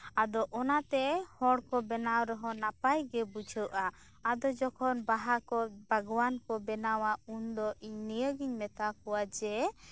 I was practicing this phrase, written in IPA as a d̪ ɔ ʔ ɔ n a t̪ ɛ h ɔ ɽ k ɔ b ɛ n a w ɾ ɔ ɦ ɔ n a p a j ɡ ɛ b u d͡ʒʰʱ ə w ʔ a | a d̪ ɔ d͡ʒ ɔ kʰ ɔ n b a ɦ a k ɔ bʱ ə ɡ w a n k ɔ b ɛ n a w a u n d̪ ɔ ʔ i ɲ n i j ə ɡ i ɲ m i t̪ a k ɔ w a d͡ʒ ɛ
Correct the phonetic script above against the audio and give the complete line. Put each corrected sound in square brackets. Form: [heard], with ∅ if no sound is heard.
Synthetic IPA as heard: a d̪ ɔ ʔ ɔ n a t̪ ɛ h ɔ ɽ k ɔ b ɛ n a w ɾ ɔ ɦ ɔ n a p a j ɡ ɛ b u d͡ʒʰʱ ə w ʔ a | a d̪ ɔ d͡ʒ ɔ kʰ ɔ n b a ɦ a k ɔ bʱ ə ɡ w a n k ɔ b ɛ n a w a u n d̪ ɔ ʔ i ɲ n i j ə ɡ i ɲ m [ɛ] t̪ a k ɔ w a d͡ʒ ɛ

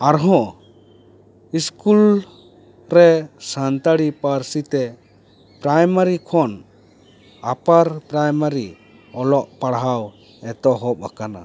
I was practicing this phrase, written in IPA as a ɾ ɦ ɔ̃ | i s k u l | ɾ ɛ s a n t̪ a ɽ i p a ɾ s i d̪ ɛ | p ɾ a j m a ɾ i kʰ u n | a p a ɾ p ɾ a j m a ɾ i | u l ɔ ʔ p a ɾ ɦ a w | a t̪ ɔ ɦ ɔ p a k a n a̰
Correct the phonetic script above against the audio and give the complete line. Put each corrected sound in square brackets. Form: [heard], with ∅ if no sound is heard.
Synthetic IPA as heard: a ɾ ɦ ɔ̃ | i s k u l | ɾ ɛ s a n t̪ a ɽ i p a ɾ s i [t̪] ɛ | p ɾ a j m a ɾ i kʰ [ɔ] n | a p a ɾ p ɾ a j m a ɾ i | [ɔ] l ɔ ʔ p a [ɽ] ɦ a w | [ɛ] t̪ ɔ ɦ ɔ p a k a n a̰

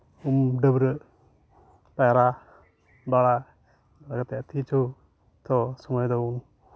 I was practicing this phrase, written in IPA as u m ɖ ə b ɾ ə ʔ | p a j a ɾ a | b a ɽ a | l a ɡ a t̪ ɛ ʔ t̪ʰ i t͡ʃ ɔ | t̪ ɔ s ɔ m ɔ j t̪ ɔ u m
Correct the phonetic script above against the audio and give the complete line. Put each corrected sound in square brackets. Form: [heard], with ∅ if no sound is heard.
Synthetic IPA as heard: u m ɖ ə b ɾ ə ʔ | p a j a ɾ a | b a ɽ a | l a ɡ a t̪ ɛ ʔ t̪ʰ i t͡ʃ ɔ | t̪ ɔ s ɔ m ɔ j [d̪] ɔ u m

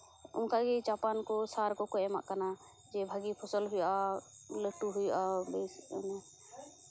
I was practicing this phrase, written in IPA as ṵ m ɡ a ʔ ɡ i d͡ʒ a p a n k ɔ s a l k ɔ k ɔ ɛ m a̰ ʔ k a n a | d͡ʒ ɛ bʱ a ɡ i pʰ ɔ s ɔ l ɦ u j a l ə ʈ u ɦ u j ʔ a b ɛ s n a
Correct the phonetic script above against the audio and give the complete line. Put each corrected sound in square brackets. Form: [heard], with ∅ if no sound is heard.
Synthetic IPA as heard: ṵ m [k] a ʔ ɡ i d͡ʒ a p a n k ɔ s a [ɾ] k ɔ k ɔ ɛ m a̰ ʔ k a n a | d͡ʒ ɛ bʱ a ɡ i pʰ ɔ s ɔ l ɦ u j a l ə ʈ u ɦ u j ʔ a b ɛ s n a

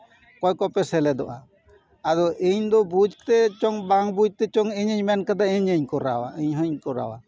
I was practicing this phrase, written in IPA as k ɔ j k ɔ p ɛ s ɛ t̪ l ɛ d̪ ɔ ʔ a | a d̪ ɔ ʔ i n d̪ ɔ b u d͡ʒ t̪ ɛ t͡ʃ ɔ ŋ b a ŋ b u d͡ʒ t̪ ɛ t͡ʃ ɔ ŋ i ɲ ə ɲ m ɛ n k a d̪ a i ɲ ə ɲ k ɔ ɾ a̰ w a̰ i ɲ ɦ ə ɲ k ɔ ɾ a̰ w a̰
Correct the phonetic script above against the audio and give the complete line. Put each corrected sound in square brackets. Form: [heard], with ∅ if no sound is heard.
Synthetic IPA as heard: k ɔ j k ɔ p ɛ s ɛ [∅] l ɛ d̪ ɔ ʔ a | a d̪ ɔ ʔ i [ɲ] d̪ ɔ b u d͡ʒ t̪ ɛ t͡ʃ ɔ ŋ b a ŋ b u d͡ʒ t̪ ɛ t͡ʃ ɔ ŋ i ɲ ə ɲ m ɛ n k a d̪ a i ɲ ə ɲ k ɔ ɾ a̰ w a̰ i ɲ ɦ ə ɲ k ɔ ɾ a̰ w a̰

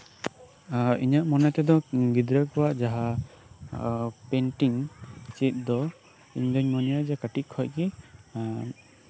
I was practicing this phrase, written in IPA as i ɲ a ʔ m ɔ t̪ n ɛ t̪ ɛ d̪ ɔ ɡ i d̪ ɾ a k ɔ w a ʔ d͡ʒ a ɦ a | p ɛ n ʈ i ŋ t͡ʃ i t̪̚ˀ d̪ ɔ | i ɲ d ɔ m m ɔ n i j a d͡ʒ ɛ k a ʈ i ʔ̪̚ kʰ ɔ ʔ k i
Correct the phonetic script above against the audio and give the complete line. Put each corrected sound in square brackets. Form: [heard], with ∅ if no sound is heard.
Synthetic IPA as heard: i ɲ a ʔ m ɔ [∅] n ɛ t̪ ɛ d̪ ɔ ɡ i d̪ ɾ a k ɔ w a ʔ d͡ʒ a ɦ a | p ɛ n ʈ i ŋ t͡ʃ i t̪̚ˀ d̪ ɔ | i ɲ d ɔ [ɲ] m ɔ n i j a d͡ʒ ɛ k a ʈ i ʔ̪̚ kʰ ɔ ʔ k i

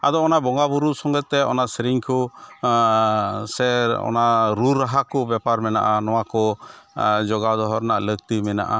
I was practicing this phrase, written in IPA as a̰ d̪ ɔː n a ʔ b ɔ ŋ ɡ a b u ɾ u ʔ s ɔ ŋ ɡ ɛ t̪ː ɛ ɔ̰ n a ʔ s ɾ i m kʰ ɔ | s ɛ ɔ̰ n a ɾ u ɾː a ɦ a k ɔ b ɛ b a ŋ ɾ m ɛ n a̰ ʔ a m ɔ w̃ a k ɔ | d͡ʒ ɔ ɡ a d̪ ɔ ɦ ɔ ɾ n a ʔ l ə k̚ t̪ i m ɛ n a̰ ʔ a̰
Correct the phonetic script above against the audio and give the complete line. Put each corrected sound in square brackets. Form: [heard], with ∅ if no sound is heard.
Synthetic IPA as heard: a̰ d̪ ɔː n a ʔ b ɔ ŋ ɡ a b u ɾ u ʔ s ɔ ŋ ɡ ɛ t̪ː ɛ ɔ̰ n a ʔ s ɾ i [ŋ] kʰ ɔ | s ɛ ɔ̰ n a ɾ u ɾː a ɦ a k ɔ b ɛ [p] a [∅] ɾ m ɛ n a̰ ʔ a [n] ɔ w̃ a k ɔ | d͡ʒ ɔ ɡ a d̪ ɔ ɦ ɔ ɾ n a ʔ l ə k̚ t̪ i m ɛ n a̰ ʔ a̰

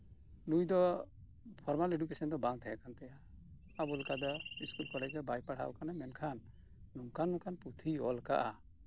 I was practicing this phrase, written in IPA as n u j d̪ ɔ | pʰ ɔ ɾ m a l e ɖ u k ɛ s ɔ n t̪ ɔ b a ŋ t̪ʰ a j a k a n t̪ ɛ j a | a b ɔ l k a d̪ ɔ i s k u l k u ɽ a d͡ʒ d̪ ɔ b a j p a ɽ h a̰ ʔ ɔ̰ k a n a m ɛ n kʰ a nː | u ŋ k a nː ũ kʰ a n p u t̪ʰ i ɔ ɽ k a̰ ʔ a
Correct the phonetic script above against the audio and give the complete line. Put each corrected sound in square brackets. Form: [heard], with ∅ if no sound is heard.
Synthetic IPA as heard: n u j d̪ ɔ | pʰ ɔ ɾ m a l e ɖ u k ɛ s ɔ n [d̪] ɔ b a ŋ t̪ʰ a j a k a n t̪ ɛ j a | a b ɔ l k a d̪ ɔ i s k u l k [ɔ] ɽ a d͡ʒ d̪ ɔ b a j p a ɽ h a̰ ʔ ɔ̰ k a n a m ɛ n kʰ a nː | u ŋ k a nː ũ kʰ a n p u t̪ʰ i ɔ [l] k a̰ ʔ a

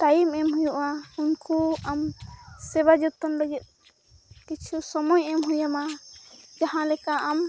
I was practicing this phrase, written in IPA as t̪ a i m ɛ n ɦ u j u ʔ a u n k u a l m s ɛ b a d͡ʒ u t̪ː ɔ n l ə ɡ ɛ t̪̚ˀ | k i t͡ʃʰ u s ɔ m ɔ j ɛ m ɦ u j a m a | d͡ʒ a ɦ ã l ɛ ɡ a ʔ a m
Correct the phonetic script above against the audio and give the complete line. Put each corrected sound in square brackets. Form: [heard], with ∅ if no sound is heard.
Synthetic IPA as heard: t̪ a i m ɛ [m] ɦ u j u ʔ a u n k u a [∅] m s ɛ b a d͡ʒ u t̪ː ɔ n l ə ɡ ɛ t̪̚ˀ | k i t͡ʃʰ u s ɔ m ɔ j ɛ m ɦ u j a m a | d͡ʒ a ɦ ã l ɛ [k] a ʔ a m

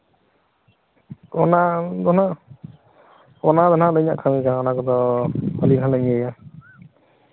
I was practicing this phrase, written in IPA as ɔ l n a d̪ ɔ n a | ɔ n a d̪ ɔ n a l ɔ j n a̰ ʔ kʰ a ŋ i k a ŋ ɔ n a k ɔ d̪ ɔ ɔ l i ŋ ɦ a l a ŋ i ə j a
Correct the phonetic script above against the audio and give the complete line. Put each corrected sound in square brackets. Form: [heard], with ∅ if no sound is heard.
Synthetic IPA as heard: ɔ [∅] n a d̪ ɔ n a | ɔ n a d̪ ɔ n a l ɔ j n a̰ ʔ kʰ a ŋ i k a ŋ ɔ n a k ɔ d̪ ɔ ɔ l i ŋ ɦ a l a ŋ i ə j a

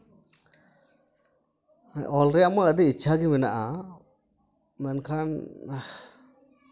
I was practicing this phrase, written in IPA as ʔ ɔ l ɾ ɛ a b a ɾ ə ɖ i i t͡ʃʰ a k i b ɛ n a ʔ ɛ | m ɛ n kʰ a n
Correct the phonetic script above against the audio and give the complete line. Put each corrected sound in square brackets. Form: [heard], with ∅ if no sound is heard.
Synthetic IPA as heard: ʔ ɔ l ɾ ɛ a [m] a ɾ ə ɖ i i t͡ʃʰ a [ɡ] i [m] ɛ n a ʔ [a] | m ɛ n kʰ a n

